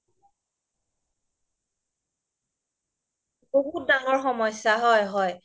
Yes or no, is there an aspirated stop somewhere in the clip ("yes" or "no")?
no